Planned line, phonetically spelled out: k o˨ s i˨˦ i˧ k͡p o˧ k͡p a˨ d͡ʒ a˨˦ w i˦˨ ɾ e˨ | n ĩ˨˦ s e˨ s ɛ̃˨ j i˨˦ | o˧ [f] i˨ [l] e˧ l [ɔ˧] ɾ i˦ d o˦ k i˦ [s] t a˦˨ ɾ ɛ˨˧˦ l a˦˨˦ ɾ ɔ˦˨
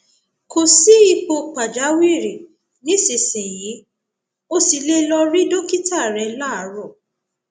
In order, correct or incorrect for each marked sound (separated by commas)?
incorrect, correct, correct, incorrect